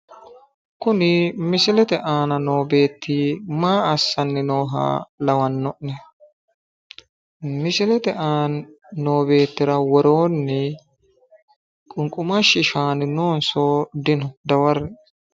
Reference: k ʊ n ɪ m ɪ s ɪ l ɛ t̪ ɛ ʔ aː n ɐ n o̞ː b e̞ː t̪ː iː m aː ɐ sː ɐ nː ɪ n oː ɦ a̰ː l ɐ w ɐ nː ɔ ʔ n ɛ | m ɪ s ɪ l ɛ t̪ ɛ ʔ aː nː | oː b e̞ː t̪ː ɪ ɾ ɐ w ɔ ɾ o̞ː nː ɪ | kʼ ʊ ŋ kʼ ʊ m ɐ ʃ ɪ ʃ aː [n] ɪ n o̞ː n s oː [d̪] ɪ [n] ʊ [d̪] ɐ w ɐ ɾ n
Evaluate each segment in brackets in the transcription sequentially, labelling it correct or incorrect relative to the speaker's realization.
correct, correct, correct, correct

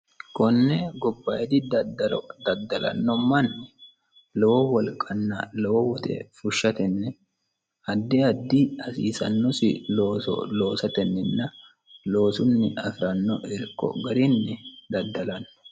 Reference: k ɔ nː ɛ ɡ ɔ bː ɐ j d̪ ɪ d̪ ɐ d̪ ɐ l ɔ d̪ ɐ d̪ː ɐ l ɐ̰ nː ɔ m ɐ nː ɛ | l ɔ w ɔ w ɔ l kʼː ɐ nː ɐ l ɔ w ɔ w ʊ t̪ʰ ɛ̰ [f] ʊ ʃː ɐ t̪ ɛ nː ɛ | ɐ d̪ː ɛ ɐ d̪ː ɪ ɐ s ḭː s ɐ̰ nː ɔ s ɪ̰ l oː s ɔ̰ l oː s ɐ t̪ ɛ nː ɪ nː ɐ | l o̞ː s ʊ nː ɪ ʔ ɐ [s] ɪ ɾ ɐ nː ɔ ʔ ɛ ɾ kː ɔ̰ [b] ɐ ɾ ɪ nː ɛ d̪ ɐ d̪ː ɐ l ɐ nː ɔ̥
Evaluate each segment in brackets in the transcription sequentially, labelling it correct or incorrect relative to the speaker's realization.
correct, incorrect, incorrect

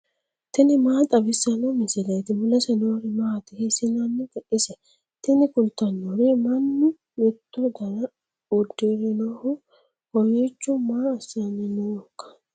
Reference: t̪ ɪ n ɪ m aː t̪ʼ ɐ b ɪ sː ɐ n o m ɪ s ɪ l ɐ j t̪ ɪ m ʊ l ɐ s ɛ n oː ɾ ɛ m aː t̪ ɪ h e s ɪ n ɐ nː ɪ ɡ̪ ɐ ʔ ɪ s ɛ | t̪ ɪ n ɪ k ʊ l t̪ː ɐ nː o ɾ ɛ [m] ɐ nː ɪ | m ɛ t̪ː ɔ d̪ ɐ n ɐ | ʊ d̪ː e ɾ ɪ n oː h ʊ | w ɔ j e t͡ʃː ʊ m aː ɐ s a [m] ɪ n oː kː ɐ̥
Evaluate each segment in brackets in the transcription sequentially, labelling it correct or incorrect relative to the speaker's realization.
correct, incorrect

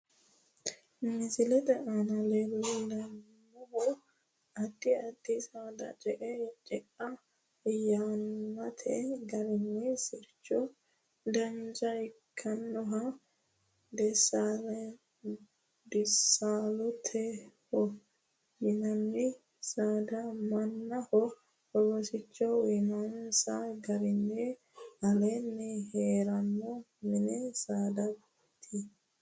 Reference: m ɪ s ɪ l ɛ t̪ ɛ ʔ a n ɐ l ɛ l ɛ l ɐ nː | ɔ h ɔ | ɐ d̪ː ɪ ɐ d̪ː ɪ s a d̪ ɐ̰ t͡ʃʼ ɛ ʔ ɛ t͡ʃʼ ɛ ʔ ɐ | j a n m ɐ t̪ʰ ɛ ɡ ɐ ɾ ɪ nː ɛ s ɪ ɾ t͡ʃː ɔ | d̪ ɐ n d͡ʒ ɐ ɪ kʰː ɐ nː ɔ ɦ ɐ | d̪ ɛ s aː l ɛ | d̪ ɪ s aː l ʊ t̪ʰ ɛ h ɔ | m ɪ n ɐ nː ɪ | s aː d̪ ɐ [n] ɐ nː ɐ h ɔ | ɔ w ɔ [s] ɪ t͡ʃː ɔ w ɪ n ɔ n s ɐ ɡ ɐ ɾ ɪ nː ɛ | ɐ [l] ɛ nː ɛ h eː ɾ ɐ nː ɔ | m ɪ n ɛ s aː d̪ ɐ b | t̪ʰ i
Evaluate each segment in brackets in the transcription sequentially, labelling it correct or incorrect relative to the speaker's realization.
incorrect, correct, correct

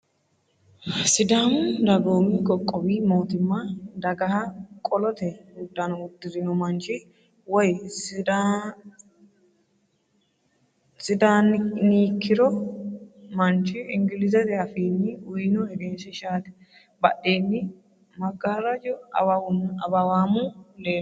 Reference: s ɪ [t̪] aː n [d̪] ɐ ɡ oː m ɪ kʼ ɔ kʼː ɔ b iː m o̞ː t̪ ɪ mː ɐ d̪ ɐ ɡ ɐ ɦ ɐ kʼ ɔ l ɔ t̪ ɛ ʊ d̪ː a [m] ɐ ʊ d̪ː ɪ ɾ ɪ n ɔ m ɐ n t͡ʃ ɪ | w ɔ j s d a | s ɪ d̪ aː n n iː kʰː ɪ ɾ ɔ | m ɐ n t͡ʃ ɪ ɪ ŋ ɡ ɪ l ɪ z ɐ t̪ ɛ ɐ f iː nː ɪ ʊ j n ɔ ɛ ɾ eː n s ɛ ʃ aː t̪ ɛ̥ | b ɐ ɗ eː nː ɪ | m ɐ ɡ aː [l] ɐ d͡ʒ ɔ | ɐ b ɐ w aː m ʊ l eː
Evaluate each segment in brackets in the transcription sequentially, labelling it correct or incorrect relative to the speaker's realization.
incorrect, correct, incorrect, incorrect

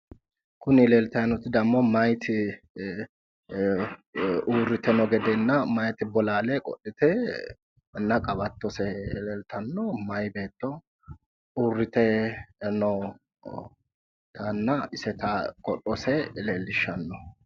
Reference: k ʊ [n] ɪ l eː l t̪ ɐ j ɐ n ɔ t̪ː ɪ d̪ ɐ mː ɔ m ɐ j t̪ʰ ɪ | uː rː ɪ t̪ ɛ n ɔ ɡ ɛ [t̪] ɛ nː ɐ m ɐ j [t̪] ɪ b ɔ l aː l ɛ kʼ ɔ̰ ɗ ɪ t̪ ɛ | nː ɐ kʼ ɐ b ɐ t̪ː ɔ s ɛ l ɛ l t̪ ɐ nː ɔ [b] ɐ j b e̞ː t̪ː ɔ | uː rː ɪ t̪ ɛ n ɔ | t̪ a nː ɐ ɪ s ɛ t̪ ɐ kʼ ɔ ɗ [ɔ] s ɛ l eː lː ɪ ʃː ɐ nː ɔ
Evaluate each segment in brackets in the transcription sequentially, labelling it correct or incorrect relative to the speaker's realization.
correct, incorrect, correct, incorrect, correct

